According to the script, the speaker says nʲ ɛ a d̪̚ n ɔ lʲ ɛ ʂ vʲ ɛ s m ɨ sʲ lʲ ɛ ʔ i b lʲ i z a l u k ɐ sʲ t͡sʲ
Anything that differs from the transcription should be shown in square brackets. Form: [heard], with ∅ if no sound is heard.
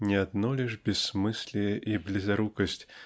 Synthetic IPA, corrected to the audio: nʲ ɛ a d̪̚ n ɔ lʲ ɛ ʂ [bʲ] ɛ s m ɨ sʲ lʲ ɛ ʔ i b lʲ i z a [ɾ] u k ɐ sʲ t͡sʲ